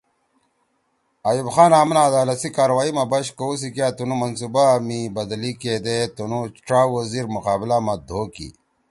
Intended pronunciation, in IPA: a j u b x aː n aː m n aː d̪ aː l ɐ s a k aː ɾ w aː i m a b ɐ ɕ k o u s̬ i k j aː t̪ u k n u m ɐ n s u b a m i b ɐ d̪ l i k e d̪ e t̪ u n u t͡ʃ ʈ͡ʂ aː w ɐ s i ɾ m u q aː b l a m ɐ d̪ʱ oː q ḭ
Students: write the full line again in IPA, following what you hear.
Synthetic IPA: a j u b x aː n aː m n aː d̪ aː l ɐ s i k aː ɾ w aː i m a b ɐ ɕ k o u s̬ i k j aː t̪ u n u m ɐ n s u b a m i b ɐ d̪ l i k e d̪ e t̪ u n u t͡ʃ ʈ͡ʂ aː w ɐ z i ɾ m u q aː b l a m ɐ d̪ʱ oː k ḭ